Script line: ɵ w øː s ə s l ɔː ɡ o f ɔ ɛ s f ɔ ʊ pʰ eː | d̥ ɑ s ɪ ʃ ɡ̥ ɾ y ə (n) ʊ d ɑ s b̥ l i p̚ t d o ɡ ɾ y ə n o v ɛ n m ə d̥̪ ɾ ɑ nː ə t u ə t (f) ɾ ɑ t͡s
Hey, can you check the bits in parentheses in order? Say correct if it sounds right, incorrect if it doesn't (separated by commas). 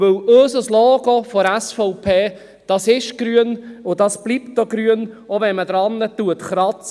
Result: correct, incorrect